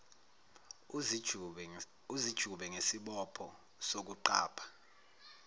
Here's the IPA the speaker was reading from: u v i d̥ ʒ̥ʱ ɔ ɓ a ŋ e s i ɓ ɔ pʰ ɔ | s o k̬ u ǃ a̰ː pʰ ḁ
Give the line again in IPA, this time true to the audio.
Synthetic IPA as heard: u z i d̥ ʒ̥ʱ u ɓ ɛ ŋ e s i ɓ ɔ pʰ ɔ | s o k̬ u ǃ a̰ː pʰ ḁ